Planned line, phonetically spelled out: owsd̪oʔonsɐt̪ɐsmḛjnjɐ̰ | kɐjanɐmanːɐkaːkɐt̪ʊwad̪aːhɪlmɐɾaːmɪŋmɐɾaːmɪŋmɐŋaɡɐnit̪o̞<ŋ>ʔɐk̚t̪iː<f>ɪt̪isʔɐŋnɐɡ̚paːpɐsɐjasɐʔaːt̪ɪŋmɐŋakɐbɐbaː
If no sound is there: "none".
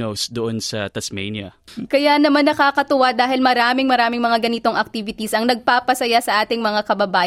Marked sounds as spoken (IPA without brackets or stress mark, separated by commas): ŋ, v